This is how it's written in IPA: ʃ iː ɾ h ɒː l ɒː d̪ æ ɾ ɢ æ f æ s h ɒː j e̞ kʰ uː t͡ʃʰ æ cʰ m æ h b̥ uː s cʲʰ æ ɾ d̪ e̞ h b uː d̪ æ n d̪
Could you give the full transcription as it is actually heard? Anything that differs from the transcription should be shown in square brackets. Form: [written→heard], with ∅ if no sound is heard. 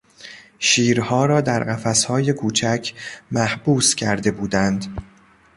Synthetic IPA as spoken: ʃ iː ɾ h ɒː [l→ɾ] ɒː d̪ æ ɾ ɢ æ f æ s h ɒː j e̞ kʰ uː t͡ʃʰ æ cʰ m æ h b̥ uː s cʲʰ æ ɾ d̪ e̞ [h→∅] b uː d̪ æ n d̪